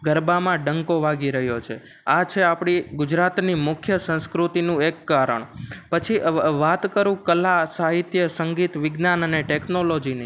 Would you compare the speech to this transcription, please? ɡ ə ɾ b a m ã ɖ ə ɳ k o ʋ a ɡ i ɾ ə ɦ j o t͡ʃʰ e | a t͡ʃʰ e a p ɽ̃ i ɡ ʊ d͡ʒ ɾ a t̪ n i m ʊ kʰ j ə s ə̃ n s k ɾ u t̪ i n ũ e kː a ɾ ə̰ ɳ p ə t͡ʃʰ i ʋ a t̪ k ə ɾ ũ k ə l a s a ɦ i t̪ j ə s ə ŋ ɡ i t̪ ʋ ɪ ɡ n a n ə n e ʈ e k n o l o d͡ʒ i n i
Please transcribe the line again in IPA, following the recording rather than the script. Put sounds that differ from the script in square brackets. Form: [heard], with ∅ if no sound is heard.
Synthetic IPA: ɡ ə ɾ b a m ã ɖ ə [ŋ] k o ʋ a ɡ i ɾ ə ɦ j o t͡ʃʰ e | a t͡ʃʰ e a p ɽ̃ i ɡ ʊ d͡ʒ ɾ a t̪ n i m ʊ kʰ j ə s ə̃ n s k ɾ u t̪ i n ũ e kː a ɾ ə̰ ɳ p ə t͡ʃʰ i ʋ a t̪ k ə ɾ ũ k ə l a s a ɦ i t̪ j ə s ə ŋ ɡ i t̪ ʋ ɪ ɡ n a n ə n e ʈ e k n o l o d͡ʒ i n i